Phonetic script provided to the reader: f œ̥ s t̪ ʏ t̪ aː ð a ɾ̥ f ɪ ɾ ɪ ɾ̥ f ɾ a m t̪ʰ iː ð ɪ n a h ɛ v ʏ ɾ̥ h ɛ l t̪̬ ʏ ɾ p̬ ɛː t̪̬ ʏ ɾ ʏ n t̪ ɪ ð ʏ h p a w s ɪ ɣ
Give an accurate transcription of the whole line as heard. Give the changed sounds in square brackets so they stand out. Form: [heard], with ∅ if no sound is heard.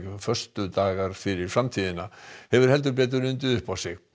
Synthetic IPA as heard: f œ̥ s t̪ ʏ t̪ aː [ɣ] a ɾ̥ f ɪ ɾ ɪ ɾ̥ f ɾ a m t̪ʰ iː ð ɪ n a h ɛ v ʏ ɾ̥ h ɛ l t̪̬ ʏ ɾ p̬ ɛː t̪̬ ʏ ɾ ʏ n t̪ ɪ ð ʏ h p a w s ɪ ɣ